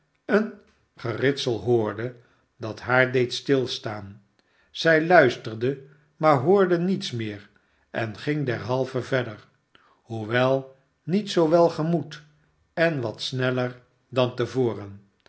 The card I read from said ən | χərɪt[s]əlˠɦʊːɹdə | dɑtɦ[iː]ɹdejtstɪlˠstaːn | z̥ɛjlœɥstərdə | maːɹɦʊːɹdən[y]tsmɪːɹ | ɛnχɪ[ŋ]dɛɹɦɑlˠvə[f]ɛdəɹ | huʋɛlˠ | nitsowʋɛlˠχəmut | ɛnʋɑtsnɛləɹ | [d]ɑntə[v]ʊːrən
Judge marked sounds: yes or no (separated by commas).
yes, no, no, yes, no, yes, yes